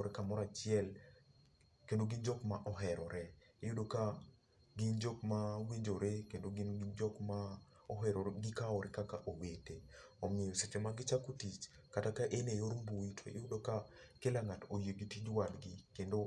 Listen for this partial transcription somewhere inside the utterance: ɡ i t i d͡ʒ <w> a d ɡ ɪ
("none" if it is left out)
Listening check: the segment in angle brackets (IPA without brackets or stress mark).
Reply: w